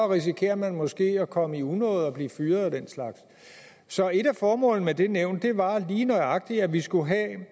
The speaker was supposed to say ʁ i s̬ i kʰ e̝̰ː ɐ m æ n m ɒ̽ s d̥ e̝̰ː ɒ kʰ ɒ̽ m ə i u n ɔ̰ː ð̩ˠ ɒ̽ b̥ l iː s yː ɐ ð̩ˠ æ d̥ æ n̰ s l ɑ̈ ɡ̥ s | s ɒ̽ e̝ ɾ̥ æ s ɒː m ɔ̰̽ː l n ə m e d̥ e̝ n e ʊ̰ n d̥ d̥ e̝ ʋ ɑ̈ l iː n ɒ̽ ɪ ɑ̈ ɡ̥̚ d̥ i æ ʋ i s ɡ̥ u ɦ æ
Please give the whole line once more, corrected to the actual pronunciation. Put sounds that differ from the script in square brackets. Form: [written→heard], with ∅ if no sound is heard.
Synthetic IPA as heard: ʁ i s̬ i kʰ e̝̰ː ɐ m æ n m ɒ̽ s [d̥→ɡ̥] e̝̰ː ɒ kʰ ɒ̽ m ə i u n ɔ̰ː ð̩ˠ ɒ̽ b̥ l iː [s→f] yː ɐ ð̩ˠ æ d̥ [æ→e] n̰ s l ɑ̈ ɡ̥ s | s ɒ̽ e̝ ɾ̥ æ [s→f] ɒː m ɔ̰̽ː l n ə m e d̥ e̝ n e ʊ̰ n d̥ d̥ e̝ ʋ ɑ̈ l iː n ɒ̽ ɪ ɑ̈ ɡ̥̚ d̥ i æ ʋ i s ɡ̥ u ɦ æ